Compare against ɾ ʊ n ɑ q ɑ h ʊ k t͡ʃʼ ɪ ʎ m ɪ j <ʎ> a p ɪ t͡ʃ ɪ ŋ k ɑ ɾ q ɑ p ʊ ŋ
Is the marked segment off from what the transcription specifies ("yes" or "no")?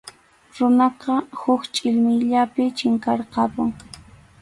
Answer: no